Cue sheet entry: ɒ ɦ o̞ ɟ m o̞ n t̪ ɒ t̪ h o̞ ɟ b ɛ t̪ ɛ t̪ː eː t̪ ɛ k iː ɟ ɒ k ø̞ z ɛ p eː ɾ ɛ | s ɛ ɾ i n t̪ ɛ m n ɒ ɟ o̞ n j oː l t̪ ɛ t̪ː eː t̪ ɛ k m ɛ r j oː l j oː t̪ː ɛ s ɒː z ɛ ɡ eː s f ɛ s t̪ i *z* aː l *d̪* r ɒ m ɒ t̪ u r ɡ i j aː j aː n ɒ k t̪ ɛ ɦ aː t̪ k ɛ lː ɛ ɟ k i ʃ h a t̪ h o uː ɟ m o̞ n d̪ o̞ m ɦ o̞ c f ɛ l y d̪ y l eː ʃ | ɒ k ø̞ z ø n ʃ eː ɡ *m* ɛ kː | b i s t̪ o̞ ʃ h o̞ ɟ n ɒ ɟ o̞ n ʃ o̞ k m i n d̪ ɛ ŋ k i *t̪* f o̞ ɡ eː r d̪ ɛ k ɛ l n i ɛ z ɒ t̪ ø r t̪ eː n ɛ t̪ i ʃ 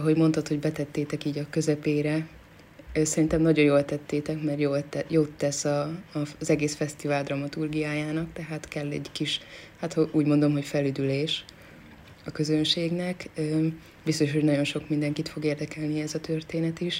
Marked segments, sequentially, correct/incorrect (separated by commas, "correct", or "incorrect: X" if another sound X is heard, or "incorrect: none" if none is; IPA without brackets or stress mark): incorrect: v, correct, incorrect: n, correct